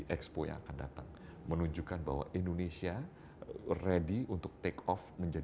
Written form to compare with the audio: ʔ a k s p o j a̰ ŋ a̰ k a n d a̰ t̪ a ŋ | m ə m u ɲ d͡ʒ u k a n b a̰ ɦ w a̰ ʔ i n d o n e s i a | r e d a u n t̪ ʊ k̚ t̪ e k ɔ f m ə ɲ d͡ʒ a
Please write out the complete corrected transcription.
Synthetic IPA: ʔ ɛ k s p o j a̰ ŋ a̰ k a n d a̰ t̪ a ŋ | m ə n u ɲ d͡ʒ u k a n b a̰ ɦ w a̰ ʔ i n d o n e s i a | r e d i u n t̪ ʊ k̚ t̪ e k ɔ f m ə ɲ d͡ʒ a